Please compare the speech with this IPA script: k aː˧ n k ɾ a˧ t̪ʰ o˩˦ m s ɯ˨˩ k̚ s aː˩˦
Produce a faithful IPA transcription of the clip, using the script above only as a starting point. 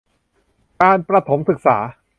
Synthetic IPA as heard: k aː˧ n p ɾ a˧ t̪ʰ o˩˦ m s ɯ˨˩ k̚ s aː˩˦